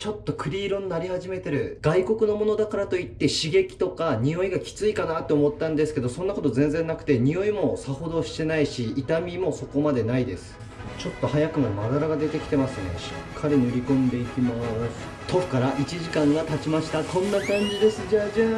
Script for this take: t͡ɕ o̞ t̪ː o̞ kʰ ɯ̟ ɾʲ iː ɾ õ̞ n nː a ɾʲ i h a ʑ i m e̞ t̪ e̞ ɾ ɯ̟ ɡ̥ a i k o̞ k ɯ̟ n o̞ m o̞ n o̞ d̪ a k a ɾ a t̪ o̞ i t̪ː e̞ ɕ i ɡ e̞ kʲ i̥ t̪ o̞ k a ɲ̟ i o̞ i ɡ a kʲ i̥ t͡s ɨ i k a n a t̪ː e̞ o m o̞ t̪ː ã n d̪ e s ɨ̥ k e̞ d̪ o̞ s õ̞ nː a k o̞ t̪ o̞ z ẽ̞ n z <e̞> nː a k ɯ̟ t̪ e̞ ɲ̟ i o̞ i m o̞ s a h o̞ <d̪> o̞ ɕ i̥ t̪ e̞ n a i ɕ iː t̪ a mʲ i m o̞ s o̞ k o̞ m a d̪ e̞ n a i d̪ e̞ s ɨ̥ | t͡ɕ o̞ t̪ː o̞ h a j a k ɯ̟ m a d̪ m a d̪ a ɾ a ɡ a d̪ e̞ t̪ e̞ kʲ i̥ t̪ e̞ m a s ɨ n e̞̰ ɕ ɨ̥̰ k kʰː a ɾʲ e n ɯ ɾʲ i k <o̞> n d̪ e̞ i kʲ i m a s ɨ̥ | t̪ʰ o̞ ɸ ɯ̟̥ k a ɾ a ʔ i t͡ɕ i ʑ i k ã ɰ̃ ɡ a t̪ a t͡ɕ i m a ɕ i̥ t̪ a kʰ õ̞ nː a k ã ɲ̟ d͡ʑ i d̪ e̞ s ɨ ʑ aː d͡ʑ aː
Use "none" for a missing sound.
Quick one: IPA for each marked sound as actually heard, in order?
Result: ẽ̞, d̪, õ̞

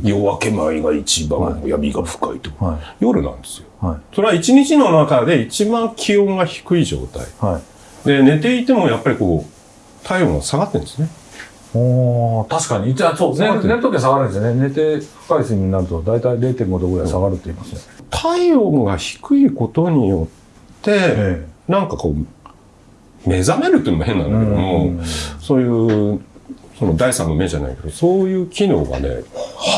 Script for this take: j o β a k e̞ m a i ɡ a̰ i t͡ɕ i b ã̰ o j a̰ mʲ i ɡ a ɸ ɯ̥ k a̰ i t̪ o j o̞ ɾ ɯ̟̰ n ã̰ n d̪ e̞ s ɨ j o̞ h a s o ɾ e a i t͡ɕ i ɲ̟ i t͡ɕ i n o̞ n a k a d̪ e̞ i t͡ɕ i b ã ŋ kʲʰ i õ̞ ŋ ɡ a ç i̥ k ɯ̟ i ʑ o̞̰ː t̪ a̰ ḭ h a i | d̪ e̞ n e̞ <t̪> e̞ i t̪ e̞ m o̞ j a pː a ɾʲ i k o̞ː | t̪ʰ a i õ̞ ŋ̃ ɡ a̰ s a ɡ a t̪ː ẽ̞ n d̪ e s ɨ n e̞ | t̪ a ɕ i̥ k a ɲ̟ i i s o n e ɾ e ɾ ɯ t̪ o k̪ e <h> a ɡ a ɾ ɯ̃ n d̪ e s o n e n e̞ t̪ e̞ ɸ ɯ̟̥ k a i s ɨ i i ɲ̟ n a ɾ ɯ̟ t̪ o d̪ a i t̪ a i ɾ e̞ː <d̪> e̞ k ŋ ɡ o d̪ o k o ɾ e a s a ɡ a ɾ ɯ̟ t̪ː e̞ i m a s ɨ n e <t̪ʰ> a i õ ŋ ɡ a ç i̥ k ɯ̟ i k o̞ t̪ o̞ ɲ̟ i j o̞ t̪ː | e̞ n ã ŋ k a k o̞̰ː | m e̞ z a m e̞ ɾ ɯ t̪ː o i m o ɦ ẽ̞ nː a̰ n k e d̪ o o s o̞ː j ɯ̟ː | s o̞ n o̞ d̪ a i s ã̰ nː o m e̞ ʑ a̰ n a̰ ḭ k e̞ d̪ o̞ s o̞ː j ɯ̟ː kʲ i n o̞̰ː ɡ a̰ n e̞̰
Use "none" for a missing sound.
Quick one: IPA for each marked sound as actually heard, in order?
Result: t̪, s, t̪, t̪ʰ

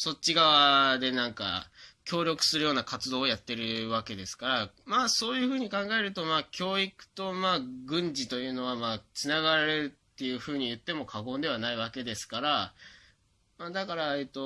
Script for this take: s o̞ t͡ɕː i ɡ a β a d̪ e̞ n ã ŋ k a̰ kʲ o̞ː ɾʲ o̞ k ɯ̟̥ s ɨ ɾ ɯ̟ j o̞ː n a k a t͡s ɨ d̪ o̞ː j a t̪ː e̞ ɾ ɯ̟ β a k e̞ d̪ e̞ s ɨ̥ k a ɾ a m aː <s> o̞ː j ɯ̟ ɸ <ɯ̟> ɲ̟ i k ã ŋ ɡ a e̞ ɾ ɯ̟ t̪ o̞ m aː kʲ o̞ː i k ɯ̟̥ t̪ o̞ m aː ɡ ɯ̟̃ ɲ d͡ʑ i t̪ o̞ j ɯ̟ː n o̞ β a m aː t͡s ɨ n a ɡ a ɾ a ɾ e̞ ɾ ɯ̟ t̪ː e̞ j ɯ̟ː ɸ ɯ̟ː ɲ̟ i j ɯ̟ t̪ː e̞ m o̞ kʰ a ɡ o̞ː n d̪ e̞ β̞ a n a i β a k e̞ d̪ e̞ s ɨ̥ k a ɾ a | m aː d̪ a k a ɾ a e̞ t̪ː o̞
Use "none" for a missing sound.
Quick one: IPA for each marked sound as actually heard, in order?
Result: s, ɯ̟ː

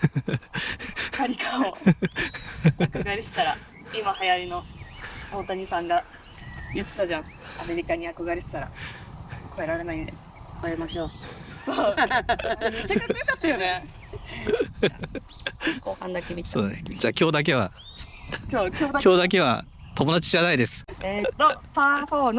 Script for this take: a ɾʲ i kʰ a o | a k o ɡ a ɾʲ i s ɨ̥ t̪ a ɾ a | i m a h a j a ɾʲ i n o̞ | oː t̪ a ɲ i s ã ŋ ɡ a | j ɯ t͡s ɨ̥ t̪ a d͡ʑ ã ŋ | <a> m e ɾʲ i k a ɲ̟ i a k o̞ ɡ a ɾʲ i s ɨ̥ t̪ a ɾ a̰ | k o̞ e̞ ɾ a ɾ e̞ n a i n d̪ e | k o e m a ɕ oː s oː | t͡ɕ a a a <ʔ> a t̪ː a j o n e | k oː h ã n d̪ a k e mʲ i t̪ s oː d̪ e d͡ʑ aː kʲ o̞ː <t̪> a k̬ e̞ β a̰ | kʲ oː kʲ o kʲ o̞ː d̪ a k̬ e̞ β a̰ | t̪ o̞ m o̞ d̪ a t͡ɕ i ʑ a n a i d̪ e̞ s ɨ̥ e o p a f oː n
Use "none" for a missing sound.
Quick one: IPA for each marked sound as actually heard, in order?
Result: a, k, d̪

